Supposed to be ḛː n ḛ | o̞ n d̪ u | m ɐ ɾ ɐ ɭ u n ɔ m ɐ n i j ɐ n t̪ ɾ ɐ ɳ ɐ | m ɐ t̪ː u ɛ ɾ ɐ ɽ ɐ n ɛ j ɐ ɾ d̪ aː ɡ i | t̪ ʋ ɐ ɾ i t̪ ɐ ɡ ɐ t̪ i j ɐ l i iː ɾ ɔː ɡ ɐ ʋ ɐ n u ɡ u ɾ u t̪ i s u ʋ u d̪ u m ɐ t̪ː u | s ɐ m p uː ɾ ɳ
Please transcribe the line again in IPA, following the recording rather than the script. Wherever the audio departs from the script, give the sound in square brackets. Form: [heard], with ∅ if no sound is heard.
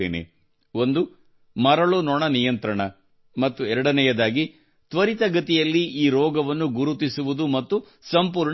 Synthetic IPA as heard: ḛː n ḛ | o̞ n d̪ u | m ɐ ɾ ɐ ɭ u n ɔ [ɳ] ɐ n i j ɐ n t̪ ɾ ɐ ɳ ɐ | m ɐ t̪ː u ɛ ɾ ɐ ɽ ɐ n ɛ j ɐ [∅] d̪ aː ɡ i | t̪ ʋ ɐ ɾ i t̪ ɐ ɡ ɐ t̪ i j ɐ [lː] i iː ɾ ɔː ɡ ɐ ʋ ɐ [nː] u ɡ u ɾ u t̪ i s u ʋ u d̪ u m ɐ t̪ː u | s ɐ m p uː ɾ ɳ

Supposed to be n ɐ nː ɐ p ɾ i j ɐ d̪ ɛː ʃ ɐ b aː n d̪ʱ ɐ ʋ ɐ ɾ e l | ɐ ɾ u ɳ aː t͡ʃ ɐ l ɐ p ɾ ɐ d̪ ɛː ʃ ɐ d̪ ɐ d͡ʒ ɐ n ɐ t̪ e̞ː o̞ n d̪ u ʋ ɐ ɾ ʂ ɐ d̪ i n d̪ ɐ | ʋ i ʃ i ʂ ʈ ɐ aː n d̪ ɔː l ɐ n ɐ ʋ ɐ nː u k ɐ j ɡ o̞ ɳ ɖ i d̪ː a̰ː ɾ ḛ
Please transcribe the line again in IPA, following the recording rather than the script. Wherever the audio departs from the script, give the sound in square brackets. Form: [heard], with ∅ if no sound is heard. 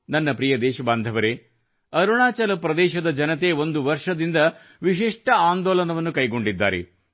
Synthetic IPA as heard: n ɐ nː ɐ p ɾ i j ɐ d̪ ɛː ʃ ɐ b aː n d̪ʱ ɐ ʋ ɐ ɾ e [∅] | ɐ ɾ u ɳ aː t͡ʃ ɐ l ɐ p ɾ ɐ d̪ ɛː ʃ ɐ d̪ ɐ d͡ʒ ɐ n ɐ t̪ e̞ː o̞ n d̪ u ʋ ɐ ɾ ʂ ɐ d̪ i n d̪ ɐ | ʋ i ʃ i ʂ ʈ ɐ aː n d̪ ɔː l ɐ n ɐ ʋ ɐ nː u k ɐ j ɡ o̞ ɳ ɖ i d̪ː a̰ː ɾ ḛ

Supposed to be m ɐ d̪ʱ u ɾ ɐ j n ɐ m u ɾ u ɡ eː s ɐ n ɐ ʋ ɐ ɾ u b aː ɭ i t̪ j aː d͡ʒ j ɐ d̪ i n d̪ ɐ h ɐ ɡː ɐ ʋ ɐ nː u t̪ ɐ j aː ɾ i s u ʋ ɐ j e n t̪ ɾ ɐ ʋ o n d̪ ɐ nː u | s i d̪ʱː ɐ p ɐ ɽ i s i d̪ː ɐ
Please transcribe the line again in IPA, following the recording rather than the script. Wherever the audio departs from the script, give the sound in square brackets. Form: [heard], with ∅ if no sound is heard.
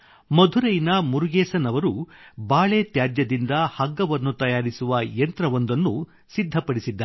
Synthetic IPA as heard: m ɐ d̪ʱ u ɾ ɐ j n ɐ m u ɾ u ɡ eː s ɐ n ɐ ʋ ɐ ɾ u b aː ɭ [e] t̪ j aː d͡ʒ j ɐ d̪ i n d̪ ɐ h ɐ ɡː ɐ ʋ ɐ nː u t̪ ɐ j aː ɾ i s u ʋ ɐ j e n t̪ ɾ ɐ ʋ o n d̪ ɐ nː u | s i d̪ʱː ɐ p ɐ ɽ i s i d̪ː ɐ

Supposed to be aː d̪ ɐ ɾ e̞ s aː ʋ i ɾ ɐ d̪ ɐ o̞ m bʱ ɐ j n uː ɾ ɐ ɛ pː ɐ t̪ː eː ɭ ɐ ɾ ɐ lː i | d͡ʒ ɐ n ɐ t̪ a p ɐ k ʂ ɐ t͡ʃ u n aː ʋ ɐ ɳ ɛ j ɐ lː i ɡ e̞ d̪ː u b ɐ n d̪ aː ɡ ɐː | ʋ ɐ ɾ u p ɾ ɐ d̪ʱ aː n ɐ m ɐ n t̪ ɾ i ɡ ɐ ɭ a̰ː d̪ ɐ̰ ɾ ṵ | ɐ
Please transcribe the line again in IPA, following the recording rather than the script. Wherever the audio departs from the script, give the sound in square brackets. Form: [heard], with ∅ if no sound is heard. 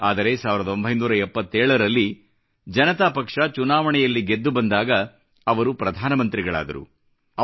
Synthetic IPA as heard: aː d̪ ɐ ɾ e̞ s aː ʋ i ɾ ɐ d̪ ɐ o̞ m bʱ ɐ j n uː ɾ ɐ ɛ pː ɐ t̪ː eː ɭ ɐ ɾ ɐ lː i | d͡ʒ ɐ n ɐ t̪ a p ɐ k ʂ ɐ t͡ʃ u n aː ʋ ɐ ɳ ɛ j ɐ lː i ɡ e̞ d̪ː u b ɐ n d̪ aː ɡ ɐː | ʋ ɐ ɾ u p ɾ ɐ d̪ʱ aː n ɐ m ɐ n t̪ ɾ i ɡ ɐ ɭ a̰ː d̪ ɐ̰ ɾ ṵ | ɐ

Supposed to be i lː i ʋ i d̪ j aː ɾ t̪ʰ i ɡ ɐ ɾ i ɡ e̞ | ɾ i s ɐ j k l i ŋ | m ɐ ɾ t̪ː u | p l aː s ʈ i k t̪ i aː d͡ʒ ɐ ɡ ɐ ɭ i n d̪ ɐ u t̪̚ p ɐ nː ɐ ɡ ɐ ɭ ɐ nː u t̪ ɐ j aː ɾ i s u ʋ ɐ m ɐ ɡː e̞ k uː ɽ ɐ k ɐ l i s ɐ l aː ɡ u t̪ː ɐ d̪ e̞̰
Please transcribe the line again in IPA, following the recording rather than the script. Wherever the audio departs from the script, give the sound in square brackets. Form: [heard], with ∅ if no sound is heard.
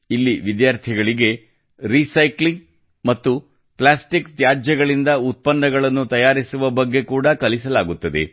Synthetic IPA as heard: i lː i ʋ i d̪ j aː ɾ t̪ʰ i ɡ ɐ [ɭ] i ɡ e̞ | ɾ i s ɐ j k l i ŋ | m ɐ [∅] t̪ː u | p l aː s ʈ i k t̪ [j] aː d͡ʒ ɐ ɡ ɐ ɭ i n d̪ ɐ u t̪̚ p ɐ nː ɐ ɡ ɐ ɭ ɐ nː u t̪ ɐ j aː ɾ i s u ʋ ɐ [b] ɐ ɡː e̞ k uː ɽ ɐ k ɐ l i s ɐ l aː ɡ u t̪ː ɐ d̪ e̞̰

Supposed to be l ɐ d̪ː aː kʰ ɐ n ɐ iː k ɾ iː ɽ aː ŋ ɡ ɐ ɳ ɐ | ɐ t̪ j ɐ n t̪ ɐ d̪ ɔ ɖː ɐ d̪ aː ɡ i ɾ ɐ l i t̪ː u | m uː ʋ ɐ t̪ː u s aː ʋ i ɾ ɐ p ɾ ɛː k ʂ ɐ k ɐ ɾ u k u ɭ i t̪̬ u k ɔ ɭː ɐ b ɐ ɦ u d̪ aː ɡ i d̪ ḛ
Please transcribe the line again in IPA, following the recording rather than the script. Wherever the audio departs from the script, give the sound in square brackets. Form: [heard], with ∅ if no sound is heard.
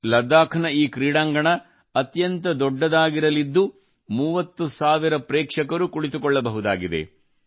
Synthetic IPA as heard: l ɐ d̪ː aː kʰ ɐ n ɐ iː k ɾ iː ɽ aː ŋ ɡ ɐ ɳ ɐ | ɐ t̪ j ɐ n t̪ ɐ d̪ ɔ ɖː ɐ d̪ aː ɡ i ɾ ɐ l i [d̪ː] u | m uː ʋ ɐ t̪ː u s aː ʋ i ɾ ɐ p ɾ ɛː k ʂ ɐ k ɐ ɾ u k u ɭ i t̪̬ u k ɔ ɭː ɐ b ɐ ɦ u d̪ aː ɡ i d̪ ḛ

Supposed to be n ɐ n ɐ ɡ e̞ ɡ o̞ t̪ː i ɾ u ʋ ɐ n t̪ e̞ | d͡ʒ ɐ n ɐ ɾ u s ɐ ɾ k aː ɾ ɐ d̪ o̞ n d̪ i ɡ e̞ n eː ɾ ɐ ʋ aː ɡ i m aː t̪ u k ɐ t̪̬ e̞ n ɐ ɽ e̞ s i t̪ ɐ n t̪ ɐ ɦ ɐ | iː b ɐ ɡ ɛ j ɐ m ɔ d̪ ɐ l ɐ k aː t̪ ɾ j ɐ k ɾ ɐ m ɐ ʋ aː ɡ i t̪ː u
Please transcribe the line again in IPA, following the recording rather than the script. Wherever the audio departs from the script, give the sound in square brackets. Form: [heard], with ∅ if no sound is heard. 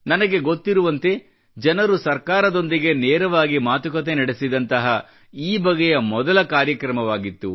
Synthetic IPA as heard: n ɐ n ɐ ɡ e̞ ɡ o̞ t̪ː i ɾ u ʋ ɐ n t̪ e̞ | d͡ʒ ɐ n ɐ ɾ u s ɐ ɾ k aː ɾ ɐ d̪ o̞ n d̪ i ɡ e̞ n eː ɾ ɐ ʋ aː ɡ i m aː t̪ u k ɐ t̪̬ e̞ n ɐ ɽ e̞ s i [d̪] ɐ n t̪ ɐ ɦ ɐ | iː b ɐ ɡ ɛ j ɐ m ɔ d̪ ɐ l ɐ k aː [∅] ɾ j ɐ k ɾ ɐ m ɐ ʋ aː ɡ i t̪ː u

